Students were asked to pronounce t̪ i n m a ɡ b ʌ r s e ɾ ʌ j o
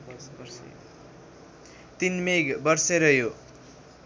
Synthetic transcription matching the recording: t̪ i n m e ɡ b ʌ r s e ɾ ʌ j o